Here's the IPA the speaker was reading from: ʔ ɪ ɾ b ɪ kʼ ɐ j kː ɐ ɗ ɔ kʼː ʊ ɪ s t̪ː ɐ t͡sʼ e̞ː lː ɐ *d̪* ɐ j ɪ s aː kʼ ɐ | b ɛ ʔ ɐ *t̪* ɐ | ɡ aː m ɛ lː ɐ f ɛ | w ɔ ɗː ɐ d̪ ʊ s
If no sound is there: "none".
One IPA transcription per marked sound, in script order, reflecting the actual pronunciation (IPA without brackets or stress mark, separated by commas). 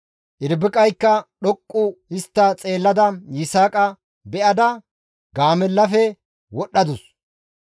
d̪, d̪